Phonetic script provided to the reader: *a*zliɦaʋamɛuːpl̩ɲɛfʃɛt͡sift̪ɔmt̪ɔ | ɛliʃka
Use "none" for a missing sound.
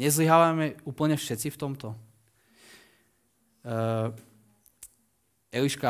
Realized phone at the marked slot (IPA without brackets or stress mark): ɛ